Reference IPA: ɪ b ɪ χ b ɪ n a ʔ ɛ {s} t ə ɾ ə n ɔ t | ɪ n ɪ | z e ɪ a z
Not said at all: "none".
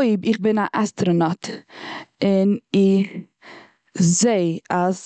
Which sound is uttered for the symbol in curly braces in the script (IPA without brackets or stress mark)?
s